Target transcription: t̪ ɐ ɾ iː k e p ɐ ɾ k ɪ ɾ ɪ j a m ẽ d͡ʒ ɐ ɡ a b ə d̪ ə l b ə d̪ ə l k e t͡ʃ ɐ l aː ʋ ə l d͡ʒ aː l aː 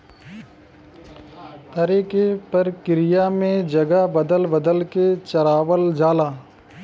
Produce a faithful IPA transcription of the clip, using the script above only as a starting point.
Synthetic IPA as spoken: t̪ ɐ ɾ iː k e p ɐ ɾ k ɪ ɾ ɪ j a m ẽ d͡ʒ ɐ ɡ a b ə d̪ ə l b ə d̪ ə l k e t͡ʃ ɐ ɾ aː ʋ ə l d͡ʒ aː l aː